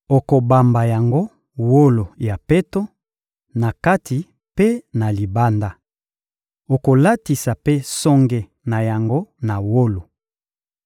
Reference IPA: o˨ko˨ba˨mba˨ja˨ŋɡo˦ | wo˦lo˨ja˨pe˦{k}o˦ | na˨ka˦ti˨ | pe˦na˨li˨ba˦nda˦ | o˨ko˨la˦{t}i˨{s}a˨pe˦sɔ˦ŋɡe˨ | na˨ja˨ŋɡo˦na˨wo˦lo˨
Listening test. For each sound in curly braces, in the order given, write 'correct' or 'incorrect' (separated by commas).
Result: incorrect, correct, correct